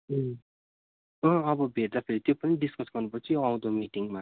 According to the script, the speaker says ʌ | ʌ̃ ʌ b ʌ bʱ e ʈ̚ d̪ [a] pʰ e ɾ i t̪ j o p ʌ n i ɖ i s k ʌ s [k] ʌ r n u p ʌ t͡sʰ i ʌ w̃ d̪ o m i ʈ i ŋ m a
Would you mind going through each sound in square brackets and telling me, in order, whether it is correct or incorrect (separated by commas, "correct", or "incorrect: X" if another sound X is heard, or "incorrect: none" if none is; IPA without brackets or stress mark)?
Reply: correct, incorrect: ɡ